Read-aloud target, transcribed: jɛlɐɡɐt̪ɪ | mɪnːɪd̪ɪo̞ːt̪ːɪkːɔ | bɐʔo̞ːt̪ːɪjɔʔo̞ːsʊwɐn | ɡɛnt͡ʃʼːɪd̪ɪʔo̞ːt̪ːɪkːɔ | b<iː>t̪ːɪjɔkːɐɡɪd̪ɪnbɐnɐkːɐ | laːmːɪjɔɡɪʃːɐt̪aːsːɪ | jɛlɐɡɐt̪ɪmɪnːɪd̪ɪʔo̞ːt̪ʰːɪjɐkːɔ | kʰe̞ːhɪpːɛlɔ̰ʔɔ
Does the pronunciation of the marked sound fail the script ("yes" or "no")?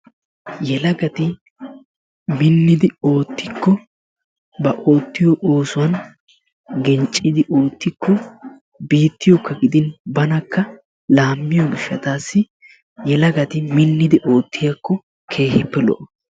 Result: no